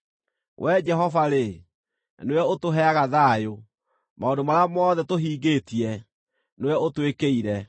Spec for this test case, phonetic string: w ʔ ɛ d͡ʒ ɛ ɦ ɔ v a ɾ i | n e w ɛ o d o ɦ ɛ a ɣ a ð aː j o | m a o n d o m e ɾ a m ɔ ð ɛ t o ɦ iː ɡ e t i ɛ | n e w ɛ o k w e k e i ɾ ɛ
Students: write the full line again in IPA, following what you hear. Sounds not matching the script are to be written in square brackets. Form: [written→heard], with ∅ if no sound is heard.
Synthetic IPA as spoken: w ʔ ɛ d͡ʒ ɛ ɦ ɔ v a ɾ [i→e] | n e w ɛ o [d→t] o ɦ ɛ a ɣ a ð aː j o | m a o n d o m [e→a] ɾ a m ɔ ð ɛ t o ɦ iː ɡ e t i ɛ | n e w ɛ o [k→t] w e k e i ɾ ɛ